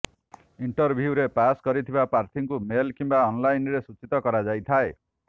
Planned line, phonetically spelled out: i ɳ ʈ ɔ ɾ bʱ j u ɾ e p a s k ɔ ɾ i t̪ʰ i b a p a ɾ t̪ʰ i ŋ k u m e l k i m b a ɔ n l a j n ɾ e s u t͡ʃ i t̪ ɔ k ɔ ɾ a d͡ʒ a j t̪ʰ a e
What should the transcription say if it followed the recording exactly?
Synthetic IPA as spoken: i ɳ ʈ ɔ ɾ bʱ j u ɾ e p a s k ɔ ɾ i t̪ʰ i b a p a ɾ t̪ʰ i ŋ k u m e l k i m b a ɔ n l a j n ɾ e s u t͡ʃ i t̪ ɔ k ɔ ɾ a d͡ʒ a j t̪ʰ a e